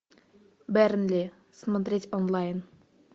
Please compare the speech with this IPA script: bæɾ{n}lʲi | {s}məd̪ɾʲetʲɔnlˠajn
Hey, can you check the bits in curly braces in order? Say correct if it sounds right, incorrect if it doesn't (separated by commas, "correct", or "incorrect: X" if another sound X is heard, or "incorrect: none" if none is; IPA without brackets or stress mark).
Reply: correct, correct